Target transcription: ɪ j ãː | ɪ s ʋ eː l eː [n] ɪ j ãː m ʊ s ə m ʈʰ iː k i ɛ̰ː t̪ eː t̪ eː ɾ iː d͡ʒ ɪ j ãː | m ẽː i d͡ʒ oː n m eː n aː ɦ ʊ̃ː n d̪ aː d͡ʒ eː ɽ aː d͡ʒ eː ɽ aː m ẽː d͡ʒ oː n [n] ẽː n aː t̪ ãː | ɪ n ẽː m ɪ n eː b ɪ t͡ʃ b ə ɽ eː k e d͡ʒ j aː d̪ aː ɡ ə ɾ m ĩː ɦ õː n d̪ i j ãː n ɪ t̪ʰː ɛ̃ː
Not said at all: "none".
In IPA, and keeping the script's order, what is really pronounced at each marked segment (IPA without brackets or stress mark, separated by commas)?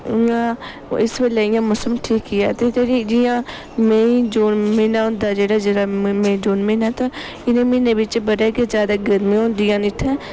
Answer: none, m